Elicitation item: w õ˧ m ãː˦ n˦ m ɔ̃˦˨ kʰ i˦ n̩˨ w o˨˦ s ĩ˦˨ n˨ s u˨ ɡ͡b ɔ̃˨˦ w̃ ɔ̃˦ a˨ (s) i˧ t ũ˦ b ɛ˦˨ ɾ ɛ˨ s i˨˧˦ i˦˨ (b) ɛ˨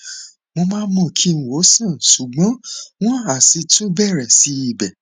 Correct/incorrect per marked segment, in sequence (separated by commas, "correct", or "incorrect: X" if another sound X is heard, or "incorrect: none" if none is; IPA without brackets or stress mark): correct, correct